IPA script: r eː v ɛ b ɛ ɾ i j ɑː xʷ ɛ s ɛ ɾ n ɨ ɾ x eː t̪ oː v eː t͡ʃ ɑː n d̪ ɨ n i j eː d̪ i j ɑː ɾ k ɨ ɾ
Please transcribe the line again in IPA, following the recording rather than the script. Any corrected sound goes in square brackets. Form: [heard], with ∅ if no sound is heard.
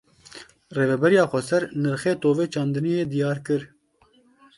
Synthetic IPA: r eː v ɛ b ɛ ɾ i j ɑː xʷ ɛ s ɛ ɾ n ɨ ɾ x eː t̪ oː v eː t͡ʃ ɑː n d̪ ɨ n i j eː d̪ i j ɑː ɾ k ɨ ɾ